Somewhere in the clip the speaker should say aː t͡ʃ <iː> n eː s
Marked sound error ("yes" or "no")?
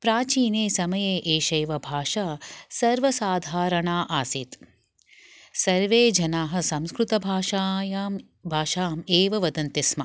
no